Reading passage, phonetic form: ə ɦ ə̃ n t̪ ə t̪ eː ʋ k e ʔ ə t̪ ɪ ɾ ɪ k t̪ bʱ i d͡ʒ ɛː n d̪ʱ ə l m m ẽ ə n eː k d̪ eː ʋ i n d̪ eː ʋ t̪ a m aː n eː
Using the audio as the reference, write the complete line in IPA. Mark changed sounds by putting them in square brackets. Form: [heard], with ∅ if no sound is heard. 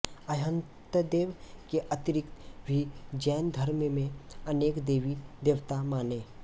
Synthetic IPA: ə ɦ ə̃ n t̪ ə [d̪] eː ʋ k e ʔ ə t̪ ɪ ɾ ɪ k t̪ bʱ i d͡ʒ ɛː n d̪ʱ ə [ɾ] m m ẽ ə n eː k d̪ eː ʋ i [∅] d̪ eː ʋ t̪ a m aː n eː